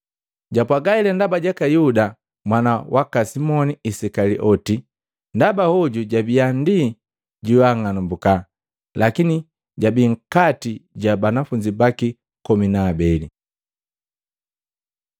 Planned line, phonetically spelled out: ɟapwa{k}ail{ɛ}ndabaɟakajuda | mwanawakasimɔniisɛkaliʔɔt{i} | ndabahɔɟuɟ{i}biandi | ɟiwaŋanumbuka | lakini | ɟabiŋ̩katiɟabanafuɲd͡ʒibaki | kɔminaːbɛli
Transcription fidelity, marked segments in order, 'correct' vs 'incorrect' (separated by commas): incorrect, correct, correct, incorrect